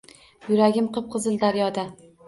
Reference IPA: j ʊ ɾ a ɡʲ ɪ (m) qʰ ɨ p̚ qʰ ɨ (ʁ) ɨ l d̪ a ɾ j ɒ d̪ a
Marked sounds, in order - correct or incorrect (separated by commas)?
correct, incorrect